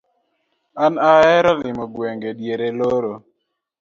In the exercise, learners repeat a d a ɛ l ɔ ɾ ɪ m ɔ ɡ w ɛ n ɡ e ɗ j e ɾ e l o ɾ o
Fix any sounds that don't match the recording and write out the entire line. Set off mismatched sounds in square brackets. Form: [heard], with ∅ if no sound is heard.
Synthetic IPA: a [n] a ɛ [ɾ] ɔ [l] ɪ m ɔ ɡ w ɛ [ŋ] ɡ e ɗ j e ɾ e l o ɾ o